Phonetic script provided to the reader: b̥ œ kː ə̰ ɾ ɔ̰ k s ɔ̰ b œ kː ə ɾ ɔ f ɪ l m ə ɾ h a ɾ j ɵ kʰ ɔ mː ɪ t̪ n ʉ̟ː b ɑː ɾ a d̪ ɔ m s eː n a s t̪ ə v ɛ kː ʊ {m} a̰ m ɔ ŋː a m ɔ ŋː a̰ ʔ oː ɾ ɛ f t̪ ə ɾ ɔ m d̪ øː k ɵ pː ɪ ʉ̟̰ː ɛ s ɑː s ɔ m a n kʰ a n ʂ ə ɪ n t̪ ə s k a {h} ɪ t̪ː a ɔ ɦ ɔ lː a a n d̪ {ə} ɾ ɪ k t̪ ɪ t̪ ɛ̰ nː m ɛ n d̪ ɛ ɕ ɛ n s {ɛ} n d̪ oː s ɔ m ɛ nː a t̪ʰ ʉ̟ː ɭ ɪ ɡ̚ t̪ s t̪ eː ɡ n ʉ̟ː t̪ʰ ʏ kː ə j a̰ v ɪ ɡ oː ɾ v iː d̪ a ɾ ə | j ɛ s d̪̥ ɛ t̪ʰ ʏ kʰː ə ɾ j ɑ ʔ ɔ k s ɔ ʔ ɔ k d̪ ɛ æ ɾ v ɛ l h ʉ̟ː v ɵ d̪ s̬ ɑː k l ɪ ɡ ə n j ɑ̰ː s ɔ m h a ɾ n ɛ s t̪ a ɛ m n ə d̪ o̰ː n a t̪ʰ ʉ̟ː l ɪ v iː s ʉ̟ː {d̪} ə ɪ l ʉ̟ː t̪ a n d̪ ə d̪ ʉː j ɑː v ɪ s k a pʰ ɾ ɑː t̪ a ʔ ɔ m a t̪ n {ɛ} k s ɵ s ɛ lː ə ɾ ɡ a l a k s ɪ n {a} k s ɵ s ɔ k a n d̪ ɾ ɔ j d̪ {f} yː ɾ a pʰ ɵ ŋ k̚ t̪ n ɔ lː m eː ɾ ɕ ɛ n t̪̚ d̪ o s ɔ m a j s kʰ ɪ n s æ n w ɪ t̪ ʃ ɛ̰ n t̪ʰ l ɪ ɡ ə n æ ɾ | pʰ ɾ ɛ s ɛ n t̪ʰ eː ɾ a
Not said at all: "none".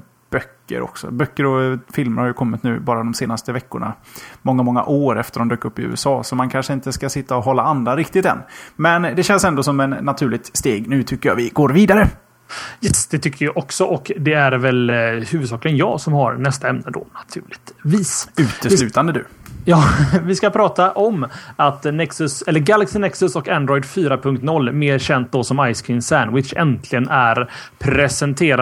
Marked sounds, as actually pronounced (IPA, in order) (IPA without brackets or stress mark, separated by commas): ɳ, s, a, ɛ, t̪, ɛ, ɛ, f